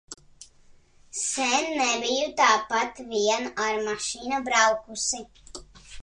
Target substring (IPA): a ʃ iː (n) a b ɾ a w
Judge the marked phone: correct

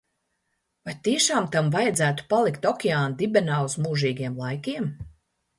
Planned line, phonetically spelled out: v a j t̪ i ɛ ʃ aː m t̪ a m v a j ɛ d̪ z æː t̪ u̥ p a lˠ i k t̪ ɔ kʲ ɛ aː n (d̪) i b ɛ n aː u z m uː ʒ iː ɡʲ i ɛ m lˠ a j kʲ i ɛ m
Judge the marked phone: correct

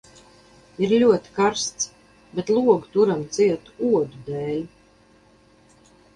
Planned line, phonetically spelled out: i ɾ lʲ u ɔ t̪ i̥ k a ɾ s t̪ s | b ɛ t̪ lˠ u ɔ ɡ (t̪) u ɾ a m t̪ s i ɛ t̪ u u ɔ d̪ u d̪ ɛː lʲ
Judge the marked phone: correct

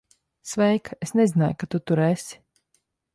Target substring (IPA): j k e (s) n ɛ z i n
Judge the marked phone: correct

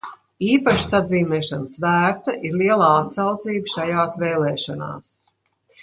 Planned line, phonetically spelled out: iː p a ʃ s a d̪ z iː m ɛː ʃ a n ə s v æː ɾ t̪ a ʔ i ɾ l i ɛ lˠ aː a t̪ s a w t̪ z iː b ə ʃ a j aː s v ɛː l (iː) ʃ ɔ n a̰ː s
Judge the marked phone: incorrect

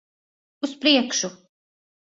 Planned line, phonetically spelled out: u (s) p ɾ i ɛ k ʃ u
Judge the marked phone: correct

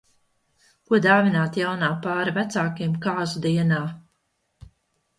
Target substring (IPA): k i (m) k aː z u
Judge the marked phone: correct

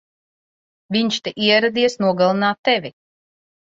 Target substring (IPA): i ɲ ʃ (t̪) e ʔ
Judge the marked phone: correct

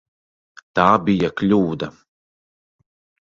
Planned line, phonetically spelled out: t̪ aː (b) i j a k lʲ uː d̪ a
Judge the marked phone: correct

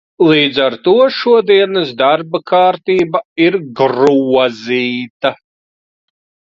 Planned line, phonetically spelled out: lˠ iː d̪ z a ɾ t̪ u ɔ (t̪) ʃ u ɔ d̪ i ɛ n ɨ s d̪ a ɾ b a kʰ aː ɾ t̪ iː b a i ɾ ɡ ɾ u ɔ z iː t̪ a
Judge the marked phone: incorrect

